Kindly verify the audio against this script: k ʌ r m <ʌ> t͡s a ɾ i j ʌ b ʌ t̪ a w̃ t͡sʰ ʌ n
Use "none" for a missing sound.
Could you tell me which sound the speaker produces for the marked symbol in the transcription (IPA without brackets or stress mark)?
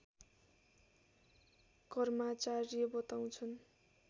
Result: a